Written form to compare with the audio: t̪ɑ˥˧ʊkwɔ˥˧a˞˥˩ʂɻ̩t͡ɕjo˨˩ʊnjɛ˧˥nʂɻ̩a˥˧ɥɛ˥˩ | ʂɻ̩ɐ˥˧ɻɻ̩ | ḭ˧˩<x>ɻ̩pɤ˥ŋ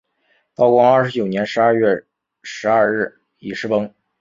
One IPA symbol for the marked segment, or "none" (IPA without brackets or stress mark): ʂ